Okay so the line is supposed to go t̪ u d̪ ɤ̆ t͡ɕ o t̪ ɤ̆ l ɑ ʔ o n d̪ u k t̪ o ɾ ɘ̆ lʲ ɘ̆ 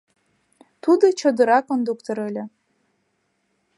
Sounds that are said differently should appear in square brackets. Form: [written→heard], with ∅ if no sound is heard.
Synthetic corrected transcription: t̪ u d̪ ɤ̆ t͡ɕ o [t̪→d̪] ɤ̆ [l→ɾ] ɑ [ʔ→k] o n d̪ u k t̪ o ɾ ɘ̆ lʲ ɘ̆

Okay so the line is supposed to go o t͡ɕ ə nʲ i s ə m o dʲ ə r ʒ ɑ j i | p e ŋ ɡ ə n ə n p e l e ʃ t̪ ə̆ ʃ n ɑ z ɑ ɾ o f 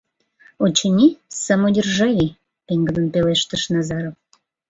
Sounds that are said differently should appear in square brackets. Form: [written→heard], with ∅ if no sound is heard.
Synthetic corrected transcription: o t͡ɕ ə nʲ i s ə m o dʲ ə r ʒ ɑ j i | p e ŋ ɡ ə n ə n p e l e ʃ t̪ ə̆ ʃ n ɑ z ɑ ɾ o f

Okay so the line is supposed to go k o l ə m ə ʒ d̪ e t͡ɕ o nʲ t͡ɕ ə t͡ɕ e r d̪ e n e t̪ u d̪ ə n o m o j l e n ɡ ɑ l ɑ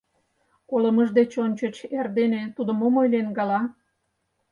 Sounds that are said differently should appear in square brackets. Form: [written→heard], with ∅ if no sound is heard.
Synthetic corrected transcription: k o l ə m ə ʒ d̪ e t͡ɕ o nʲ t͡ɕ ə t͡ɕ e r d̪ e n e t̪ u d̪ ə [n→m] o m o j l e n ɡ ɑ l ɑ

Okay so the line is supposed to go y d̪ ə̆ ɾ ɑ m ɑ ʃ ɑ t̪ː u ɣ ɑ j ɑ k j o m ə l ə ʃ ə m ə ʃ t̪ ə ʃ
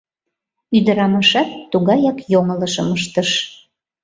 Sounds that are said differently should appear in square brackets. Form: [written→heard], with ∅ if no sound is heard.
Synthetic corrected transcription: y d̪ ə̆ ɾ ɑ m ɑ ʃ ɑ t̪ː u ɣ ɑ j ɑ k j o [m→ŋ] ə l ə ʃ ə m ə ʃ t̪ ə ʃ

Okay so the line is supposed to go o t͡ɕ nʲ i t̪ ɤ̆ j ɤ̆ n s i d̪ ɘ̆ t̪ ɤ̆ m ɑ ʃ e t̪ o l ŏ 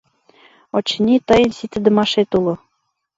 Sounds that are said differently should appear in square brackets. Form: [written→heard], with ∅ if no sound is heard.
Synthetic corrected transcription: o t͡ɕ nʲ i t̪ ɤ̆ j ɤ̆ n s i [d̪→t̪] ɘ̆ [t̪→d̪] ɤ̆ m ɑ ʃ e t̪ [o→u] l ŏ

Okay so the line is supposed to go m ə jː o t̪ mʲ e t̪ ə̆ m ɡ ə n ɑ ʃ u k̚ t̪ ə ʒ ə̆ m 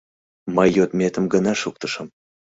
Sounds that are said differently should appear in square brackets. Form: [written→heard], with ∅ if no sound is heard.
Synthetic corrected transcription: m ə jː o t̪ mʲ e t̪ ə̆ m ɡ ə n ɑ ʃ u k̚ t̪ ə [ʒ→ʃ] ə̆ m

